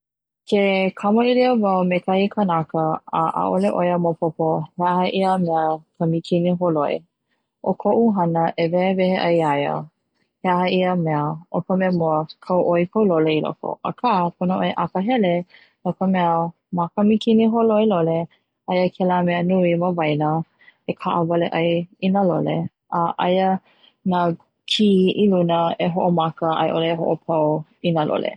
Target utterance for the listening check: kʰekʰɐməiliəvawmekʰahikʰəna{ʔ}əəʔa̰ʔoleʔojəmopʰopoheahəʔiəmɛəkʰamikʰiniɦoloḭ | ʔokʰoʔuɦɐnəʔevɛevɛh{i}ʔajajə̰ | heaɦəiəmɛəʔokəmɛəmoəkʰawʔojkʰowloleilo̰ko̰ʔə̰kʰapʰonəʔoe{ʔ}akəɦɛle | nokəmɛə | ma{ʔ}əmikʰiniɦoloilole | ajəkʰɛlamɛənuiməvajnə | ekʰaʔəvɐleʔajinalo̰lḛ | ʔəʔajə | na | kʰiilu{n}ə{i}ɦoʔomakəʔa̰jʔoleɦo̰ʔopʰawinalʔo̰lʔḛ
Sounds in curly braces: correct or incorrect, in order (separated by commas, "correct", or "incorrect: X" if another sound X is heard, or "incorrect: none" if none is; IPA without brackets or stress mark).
incorrect: k, incorrect: e, correct, incorrect: k, correct, incorrect: e